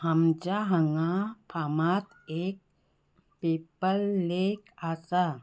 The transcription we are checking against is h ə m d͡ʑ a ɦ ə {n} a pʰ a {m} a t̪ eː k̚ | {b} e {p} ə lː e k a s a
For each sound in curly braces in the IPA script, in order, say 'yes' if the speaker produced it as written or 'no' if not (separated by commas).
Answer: no, yes, no, yes